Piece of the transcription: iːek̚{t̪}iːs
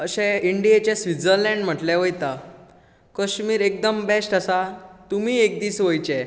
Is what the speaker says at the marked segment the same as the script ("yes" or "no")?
no